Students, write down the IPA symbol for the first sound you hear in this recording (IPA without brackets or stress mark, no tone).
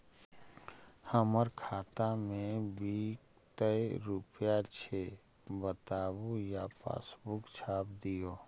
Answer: h